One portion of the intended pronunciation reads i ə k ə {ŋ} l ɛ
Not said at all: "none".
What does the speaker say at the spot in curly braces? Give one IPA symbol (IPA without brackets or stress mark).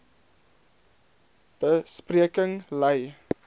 ŋ